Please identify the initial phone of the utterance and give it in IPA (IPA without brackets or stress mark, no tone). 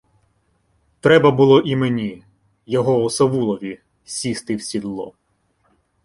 t̪